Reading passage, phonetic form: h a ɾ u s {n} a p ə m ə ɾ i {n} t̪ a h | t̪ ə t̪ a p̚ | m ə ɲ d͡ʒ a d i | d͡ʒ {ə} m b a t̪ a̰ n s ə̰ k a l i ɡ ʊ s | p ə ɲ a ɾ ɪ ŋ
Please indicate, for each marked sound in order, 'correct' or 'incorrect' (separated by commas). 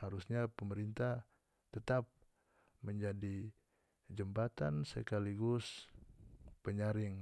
incorrect, correct, correct